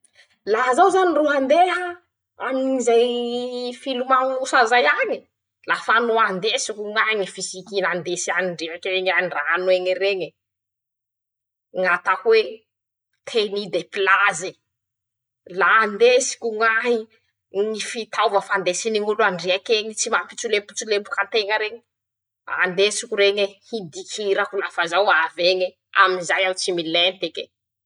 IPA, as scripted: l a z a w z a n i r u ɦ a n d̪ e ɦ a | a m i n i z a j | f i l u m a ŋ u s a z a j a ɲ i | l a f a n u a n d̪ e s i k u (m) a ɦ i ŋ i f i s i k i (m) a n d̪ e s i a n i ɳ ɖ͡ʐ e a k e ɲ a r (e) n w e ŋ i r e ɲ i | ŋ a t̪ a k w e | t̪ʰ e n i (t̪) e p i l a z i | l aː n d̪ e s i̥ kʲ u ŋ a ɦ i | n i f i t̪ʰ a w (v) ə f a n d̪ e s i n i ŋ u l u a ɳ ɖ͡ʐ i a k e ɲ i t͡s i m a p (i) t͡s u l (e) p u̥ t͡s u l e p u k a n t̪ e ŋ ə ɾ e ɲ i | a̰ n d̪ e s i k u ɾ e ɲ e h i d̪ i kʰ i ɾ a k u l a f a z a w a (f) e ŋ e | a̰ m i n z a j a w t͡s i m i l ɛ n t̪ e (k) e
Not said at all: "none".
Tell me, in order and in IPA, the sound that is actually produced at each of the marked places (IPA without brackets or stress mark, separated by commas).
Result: ŋ, n, a, d̪, v, i, e, v, k